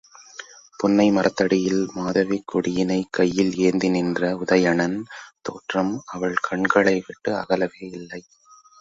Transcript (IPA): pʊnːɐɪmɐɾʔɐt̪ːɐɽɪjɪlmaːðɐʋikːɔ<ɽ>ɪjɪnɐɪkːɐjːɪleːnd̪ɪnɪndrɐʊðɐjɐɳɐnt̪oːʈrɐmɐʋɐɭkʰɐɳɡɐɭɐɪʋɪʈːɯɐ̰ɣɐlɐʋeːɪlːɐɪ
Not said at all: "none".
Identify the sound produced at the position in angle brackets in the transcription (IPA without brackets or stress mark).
ɽ